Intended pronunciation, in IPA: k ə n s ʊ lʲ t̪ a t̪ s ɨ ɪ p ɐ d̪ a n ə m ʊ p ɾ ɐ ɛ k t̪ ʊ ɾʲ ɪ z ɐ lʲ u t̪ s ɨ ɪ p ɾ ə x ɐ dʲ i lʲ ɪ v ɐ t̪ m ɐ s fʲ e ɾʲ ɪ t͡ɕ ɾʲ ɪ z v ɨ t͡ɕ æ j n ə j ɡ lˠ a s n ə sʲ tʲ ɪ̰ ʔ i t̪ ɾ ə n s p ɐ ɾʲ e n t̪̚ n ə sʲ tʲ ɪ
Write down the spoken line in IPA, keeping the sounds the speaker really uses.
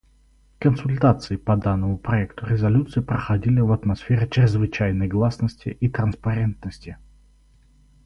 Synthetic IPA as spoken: k ə n s ʊ lʲ t̪ a t̪ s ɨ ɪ p ɐ d̪ a nː ə m ʊ p ɾ ɐ ɛ k t̪ ʊ ɾʲ ɪ z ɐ lʲ u t̪ s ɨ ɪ p ɾ ə x ɐ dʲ i lʲ ɪ v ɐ t̪ m ɐ s fʲ e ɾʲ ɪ t͡ɕ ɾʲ ɪ z v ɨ t͡ɕ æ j n ə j ɡ lˠ a s n ə sʲ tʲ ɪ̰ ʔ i t̪ ɾ ə n s p ɐ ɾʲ e n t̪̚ n ə sʲ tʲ ɪ

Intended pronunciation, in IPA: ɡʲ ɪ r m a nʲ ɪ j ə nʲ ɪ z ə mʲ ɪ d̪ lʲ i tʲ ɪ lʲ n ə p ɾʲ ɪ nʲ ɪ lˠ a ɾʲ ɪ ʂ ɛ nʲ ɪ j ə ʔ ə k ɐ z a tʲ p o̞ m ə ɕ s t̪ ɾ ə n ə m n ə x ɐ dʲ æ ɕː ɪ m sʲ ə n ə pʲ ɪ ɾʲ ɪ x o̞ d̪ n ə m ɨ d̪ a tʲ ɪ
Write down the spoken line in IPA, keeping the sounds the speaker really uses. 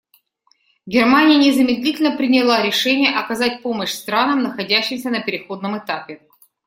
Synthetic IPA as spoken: ɡʲ ɪ r m a nʲ ɪ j ə nʲ ɪ z ə mʲ ɪ d̪ lʲ i tʲ ɪ lʲ n ə p ɾʲ ɪ nʲ ɪ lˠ a ɾʲ ɪ ʂ ɛ nʲ ɪ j ə ʔ ɐ k ɐ z a tʲ p o̞ m ə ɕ s t̪ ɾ a n ə m n ə x ɐ dʲ æ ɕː ɪ m sʲ ə n ə pʲ ɪ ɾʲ ɪ x o̞ d̪ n ə m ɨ t̪ a pʲ ɪ

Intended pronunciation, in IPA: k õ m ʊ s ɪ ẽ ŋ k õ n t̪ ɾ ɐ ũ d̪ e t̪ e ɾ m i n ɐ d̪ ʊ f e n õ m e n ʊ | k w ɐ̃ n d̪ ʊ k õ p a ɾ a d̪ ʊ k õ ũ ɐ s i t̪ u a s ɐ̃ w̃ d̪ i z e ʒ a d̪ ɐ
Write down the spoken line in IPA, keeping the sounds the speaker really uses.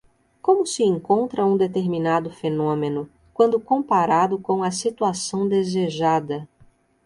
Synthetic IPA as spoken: k õ m ʊ s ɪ ẽ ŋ k õ n t̪ ɾ ɐ ũ d̪ e t̪ e ɾ m i n a d̪ ʊ f e n õ m e n ʊ | k w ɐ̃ n d̪ ʊ k õ p a ɾ a d̪ ʊ k õ w̃ ɐ s i t̪ u a s ɐ̃ w̃ d̪ e z e ʒ a d̪ ɐ

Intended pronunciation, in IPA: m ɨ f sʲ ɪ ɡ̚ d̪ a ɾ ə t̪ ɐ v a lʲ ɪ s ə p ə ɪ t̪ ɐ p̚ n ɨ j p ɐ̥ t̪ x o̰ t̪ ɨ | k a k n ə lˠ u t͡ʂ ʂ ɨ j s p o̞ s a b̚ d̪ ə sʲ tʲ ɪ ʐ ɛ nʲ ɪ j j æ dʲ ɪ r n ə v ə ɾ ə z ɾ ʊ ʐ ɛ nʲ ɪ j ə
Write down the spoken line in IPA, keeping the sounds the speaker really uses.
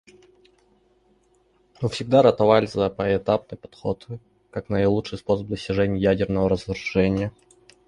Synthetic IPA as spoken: m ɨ f sʲ ɪ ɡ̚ d̪ a ɾ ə t̪ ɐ v a lʲ ɪ z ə p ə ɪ t̪ a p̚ n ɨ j p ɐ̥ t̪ x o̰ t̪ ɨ | k a k n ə lˠ u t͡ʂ ʂ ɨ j s p o̞ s ə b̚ d̪ ə sʲ tʲ ɪ ʐ ɛ nʲ ɪ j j æ dʲ ɪ r n ə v ə ɾ ə z ɾ ʊ ʐ ɛ nʲ ɪ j ə

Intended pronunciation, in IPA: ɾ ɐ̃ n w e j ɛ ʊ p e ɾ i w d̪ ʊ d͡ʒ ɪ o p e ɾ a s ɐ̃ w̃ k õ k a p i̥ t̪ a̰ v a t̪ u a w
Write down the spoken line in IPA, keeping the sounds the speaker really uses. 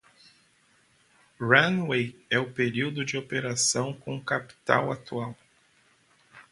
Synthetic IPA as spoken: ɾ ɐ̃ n w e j ɛ ʊ p e ɾ i w d̪ ʊ d͡ʒ ɪ o p e ɾ a s ɐ̃ w̃ k õ k a p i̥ t̪ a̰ w a t̪ u a w

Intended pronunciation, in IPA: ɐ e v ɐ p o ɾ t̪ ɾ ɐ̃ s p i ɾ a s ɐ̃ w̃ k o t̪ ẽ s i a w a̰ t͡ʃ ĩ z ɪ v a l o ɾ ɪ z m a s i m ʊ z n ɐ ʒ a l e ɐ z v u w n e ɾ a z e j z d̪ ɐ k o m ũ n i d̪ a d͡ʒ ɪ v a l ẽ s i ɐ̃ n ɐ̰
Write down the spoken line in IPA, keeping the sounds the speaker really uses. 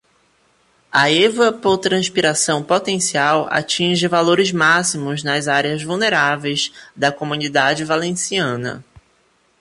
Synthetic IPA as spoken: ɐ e v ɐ p o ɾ t̪ ɾ ɐ̃ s p i ɾ a s ɐ̃ w̃ p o t̪ ẽ s i a w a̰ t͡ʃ ĩ ʒ ɪ v a l o ɾ ɪ z m a s i m ʊ z n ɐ z a ɾ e ɐ z v u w n e ɾ a v e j z d̪ ɐ k o m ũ n i d̪ a d͡ʒ ɪ v a l ẽ s i ɐ̃ n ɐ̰

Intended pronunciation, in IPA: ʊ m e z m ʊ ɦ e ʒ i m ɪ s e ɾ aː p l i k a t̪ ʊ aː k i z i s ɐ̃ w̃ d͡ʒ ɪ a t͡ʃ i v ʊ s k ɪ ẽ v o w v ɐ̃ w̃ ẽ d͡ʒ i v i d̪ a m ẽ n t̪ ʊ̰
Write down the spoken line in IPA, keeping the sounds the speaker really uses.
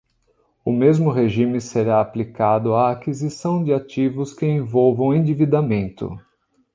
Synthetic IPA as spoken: ʊ m e z m ʊ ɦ e ʒ i m ɪ s e ɾ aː p l i k a d̪ ʊ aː k i z i s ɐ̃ w̃ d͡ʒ ɪ a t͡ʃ i v ʊ s k ɪ ẽ v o w v ɐ̃ w̃ ẽ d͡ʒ i v i d̪ a m ẽ n t̪ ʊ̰

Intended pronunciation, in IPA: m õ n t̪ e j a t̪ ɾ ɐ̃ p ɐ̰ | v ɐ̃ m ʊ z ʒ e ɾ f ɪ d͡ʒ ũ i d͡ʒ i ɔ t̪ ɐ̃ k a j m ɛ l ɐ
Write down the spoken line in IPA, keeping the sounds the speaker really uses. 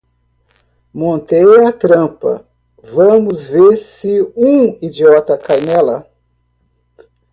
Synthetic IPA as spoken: m õ n t̪ e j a t̪ ɾ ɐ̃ p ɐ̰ | v ɐ̃ m ʊ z v e ɾ s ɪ ũ i d͡ʒ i ɔ t̪ ɐ k a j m ɛ l ɐ

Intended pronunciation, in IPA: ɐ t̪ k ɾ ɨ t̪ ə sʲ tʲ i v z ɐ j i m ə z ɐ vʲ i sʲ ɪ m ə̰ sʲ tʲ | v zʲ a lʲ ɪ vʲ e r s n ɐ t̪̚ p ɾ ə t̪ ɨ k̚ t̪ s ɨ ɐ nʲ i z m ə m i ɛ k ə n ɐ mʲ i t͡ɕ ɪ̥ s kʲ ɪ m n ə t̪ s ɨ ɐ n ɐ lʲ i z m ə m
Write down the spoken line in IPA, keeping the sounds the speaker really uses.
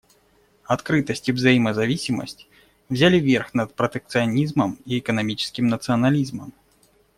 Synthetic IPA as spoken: ɐ t̪ k ɾ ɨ t̪ ə sʲ tʲ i v z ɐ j i m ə z ɐ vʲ i sʲ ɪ m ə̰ sʲ tʲ | v zʲ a lʲ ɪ vʲ e r x n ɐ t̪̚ p ɾ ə t̪ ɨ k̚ t̪ s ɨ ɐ nʲ i z m ə m i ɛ k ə n ɐ mʲ i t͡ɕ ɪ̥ s kʲ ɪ m n ə t̪ s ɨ ɐ n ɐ lʲ i z m ə m

